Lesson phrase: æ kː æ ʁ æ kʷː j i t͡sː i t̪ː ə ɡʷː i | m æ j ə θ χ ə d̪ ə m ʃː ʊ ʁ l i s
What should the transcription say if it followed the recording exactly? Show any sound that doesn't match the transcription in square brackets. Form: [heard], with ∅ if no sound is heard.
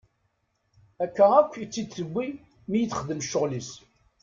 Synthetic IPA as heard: æ kː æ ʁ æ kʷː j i t͡sː i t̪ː ə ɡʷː i | m [i] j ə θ χ ə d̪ ə m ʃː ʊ ʁ l i s